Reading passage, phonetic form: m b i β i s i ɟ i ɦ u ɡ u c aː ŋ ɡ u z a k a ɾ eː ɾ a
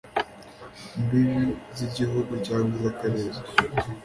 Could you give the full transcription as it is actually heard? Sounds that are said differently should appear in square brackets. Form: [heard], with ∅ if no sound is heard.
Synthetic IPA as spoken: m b i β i [z] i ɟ i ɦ u ɡ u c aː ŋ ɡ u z a k a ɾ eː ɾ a